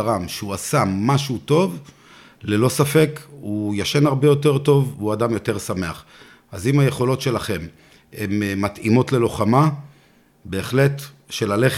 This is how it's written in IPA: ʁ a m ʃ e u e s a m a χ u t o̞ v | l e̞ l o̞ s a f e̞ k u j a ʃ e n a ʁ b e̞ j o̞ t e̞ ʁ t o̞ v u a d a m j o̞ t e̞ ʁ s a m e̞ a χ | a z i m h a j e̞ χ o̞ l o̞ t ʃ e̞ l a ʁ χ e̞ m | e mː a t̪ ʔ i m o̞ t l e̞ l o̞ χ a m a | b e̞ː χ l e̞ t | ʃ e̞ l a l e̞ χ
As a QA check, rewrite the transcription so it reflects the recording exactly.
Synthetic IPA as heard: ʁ a m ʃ e u a s a m a ʃ u t o̞ v | l e̞ l o̞ s a f e̞ k u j a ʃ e n a ʁ b e̞ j o̞ t e̞ ʁ t o̞ v u a d a m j o̞ t e̞ ʁ s a m e̞ a χ | a z i m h a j e̞ χ o̞ l o̞ t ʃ e̞ l a χ e̞ m | e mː a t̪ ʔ i m o̞ t l e̞ l o̞ χ a m a | b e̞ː χ l e̞ t | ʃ e̞ l a l e̞ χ